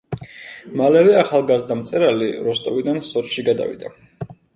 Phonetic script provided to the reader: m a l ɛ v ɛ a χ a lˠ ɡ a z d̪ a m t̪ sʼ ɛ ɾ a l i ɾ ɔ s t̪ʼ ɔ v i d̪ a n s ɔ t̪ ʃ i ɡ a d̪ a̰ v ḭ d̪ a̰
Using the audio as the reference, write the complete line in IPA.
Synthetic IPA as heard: m a l ɛ v ɛ a χ a lˠ ɡ a z d̪ a m t̪ sʼ ɛ ɾ a l i ɾ ɔ s t̪ʼ ɔ v i d̪ a n s ɔ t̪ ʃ i ɡ a d̪ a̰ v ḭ d̪ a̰